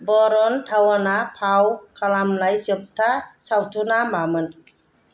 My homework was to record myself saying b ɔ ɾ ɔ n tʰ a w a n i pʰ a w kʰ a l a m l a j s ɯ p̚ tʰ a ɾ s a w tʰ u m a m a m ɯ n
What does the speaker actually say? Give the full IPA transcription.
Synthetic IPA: b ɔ ɾ ɔ n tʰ a w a n a pʰ a w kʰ a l a m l a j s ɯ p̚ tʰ a s a w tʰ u n a m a m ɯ n

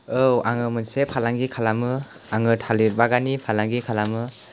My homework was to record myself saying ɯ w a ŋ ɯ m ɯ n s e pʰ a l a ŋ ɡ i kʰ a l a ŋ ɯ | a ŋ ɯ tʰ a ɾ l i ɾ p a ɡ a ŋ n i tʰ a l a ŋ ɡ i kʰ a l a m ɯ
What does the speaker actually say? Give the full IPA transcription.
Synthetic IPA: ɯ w a ŋ ɯ m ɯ n s e pʰ a l a ŋ ɡ i kʰ a l a m ɯ | a ŋ ɯ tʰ a l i ɾ b a ɡ a n i pʰ a l a ŋ ɡ i kʰ a l a m ɯ

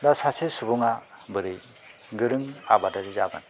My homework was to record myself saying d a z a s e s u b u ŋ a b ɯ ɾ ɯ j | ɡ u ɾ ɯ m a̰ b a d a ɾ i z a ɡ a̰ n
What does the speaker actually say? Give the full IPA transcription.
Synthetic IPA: d a s a s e s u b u ŋ a b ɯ ɾ ɯ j | ɡ ɯ ɾ ɯ ŋ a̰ b a d a ɾ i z a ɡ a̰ n

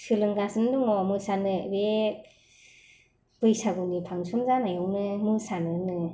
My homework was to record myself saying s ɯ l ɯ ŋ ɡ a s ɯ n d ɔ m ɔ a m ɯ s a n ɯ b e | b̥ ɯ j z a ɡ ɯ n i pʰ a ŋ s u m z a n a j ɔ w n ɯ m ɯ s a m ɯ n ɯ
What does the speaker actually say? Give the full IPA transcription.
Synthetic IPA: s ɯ l ɯ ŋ ɡ a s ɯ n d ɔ ŋ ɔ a m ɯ s a n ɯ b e | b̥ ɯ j s a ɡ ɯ n i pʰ a ŋ s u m z a n a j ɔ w n ɯ m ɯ s a n ɯ n ɯ

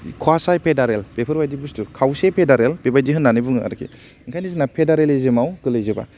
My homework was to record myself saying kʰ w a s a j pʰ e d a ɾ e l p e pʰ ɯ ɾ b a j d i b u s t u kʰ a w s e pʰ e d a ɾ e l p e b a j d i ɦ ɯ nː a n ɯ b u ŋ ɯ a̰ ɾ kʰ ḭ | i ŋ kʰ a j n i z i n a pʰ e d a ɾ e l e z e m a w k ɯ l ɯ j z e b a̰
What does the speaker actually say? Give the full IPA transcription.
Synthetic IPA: kʰ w a s a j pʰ e d a ɾ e l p e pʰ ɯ ɾ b a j d i b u s t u kʰ a w s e pʰ e d a ɾ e l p e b a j d i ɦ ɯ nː a n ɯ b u ŋ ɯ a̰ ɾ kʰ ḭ | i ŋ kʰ a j n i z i n a pʰ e d a ɾ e l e z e m a w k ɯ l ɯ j z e b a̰

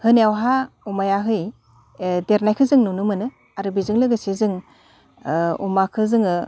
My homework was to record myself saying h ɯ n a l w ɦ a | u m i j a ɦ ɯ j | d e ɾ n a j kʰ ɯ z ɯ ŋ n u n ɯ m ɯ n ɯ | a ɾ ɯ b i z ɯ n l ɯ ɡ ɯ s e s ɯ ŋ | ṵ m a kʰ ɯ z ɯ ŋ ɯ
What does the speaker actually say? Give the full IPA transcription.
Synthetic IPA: h ɯ n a w ɦ a | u m a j a ɦ ɯ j | d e ɾ n a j kʰ ɯ z ɯ ŋ n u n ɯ m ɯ n ɯ | a ɾ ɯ b i z ɯ ŋ l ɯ ɡ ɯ s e z ɯ ŋ | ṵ m a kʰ ɯ z ɯ ŋ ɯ

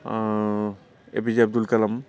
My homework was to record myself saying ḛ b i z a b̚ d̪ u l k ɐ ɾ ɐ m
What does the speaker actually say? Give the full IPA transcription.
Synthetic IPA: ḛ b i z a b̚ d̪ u l k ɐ l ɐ m

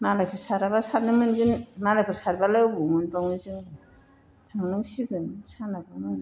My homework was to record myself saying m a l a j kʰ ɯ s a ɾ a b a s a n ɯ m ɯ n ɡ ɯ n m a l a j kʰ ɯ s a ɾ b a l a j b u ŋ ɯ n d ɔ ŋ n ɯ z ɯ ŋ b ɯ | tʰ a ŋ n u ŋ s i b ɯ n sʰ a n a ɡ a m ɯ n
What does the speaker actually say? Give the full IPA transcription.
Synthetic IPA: m a l a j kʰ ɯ s a ɾ a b a s a n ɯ m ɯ n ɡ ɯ n m a l a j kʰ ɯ s a ɾ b a l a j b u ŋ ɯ n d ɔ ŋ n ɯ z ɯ ŋ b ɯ | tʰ a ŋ n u ŋ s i ɡ ɯ n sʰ a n a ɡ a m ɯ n

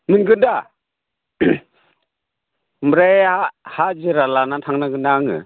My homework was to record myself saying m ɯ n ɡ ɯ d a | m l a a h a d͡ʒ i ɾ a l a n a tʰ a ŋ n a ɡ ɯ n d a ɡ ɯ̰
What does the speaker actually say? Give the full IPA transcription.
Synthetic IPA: m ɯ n ɡ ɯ d a | m ɾ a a h a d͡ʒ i ɾ a l a n a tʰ a ŋ n a ɡ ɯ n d a ŋ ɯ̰

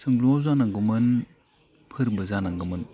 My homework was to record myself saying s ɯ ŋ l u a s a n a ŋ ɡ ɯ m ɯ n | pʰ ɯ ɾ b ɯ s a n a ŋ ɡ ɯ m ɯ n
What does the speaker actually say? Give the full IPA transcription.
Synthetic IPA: s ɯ ŋ l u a z a n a ŋ ɡ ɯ m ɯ n | pʰ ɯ ɾ b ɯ z a n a ŋ ɡ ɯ m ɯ n

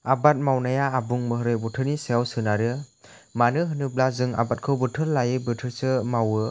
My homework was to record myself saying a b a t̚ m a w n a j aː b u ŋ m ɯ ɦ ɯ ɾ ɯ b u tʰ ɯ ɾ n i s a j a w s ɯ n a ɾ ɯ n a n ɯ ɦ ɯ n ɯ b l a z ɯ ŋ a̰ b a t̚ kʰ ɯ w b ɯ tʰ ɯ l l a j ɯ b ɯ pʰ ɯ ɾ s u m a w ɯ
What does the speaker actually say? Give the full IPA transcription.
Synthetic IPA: a b a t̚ m a w n a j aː b u ŋ m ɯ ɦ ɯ ɾ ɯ b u tʰ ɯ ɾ n i s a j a w s ɯ n a ɾ ɯ m a n ɯ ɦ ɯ n ɯ b l a z ɯ ŋ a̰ b a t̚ kʰ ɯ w b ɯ tʰ ɯ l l a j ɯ b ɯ tʰ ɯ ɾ s ɯ m a w ɯ

